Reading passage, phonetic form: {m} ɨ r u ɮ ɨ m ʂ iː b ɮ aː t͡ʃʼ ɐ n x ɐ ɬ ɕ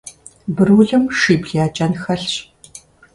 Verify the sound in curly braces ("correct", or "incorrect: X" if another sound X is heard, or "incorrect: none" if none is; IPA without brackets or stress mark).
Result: incorrect: b